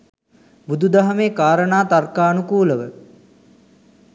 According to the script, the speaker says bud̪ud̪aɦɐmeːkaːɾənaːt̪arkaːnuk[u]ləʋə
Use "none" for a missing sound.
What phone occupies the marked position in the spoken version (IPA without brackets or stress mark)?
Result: uː